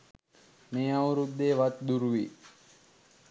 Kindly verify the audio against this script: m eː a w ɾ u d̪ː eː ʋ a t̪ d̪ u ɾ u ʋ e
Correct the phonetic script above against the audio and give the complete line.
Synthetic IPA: m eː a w ɾ u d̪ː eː ʋ a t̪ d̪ u ɾ u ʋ i